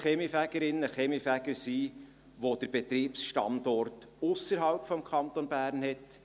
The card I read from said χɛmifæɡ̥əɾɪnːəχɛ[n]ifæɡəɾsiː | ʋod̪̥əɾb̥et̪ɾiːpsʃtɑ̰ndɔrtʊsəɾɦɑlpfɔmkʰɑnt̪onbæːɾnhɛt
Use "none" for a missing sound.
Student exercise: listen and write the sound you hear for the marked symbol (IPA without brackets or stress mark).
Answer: m